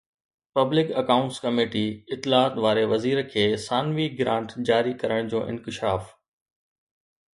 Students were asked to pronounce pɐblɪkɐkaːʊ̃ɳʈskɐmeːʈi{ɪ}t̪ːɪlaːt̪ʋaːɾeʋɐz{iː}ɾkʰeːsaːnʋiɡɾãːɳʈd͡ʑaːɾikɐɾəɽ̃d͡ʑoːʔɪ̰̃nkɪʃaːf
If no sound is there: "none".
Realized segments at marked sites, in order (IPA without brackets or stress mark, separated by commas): ɪ, iː